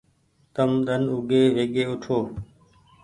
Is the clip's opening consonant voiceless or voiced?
voiceless